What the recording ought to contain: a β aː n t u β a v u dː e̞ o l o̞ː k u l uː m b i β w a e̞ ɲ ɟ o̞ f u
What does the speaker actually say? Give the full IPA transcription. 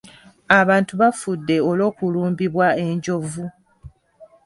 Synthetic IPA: a β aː n t u β a f u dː e̞ o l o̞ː k u l uː m b i β w a e̞ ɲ ɟ o̞ v u